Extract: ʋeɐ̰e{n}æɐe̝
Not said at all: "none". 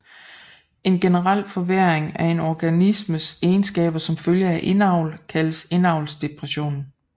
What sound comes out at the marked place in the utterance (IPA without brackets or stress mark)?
ŋ